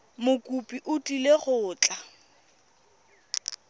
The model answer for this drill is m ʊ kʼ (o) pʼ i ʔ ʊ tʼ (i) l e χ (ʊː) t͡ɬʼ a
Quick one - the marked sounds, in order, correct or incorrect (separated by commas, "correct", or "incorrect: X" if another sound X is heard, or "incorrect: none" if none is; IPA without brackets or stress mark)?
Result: incorrect: u, correct, correct